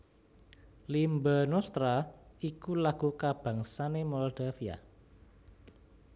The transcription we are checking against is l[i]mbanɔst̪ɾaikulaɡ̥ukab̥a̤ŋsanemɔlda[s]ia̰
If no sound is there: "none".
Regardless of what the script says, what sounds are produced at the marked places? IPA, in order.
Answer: i, f

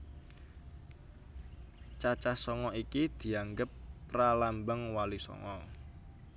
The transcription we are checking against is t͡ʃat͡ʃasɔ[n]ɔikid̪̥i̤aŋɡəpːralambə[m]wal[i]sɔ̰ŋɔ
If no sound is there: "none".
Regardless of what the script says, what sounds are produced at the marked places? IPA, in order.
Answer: ŋ, ŋ, i

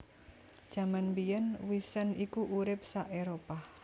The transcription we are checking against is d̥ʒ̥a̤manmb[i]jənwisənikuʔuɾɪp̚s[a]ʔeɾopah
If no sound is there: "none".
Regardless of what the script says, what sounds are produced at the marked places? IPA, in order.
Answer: i, a

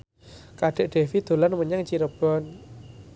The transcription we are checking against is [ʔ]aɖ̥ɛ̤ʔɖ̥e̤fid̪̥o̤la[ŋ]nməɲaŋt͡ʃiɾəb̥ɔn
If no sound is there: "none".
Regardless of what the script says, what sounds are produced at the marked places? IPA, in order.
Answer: k, none

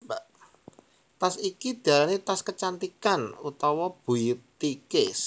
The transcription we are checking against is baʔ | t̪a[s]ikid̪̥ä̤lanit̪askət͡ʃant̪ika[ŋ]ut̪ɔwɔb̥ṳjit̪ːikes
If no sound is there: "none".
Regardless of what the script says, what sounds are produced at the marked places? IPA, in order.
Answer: s, n

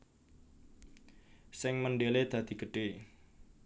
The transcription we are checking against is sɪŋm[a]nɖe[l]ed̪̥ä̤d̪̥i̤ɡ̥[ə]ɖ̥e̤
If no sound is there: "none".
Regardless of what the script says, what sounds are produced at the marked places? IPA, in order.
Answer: ə, l, ə

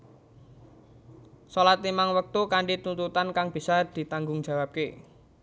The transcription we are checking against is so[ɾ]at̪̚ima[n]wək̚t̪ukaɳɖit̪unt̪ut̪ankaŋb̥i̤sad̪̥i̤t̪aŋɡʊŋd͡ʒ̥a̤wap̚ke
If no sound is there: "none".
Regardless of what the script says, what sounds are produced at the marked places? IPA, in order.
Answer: l, ŋ

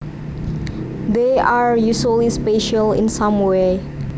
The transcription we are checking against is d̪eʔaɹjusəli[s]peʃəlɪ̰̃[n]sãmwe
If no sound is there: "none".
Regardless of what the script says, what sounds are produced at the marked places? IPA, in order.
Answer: s, n

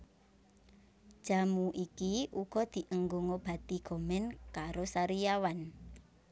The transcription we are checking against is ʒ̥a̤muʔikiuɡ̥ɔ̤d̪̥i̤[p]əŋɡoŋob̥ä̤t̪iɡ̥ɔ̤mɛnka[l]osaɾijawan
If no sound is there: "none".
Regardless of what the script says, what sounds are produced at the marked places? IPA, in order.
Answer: ʔ, ɾ

